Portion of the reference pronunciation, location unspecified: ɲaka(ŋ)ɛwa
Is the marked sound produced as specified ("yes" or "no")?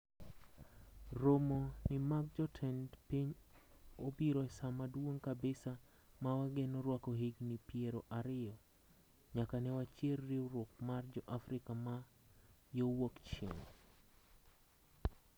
no